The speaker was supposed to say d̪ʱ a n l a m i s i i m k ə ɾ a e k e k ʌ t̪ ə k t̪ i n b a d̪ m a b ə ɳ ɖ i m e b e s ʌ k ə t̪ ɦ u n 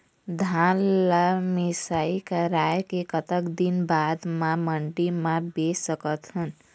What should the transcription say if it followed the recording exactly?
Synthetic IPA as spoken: d̪ʱ a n l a m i s a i k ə ɾ a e k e k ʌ t̪ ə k d̪ i n b a d̪ m a m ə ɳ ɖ i m a b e s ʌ k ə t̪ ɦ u n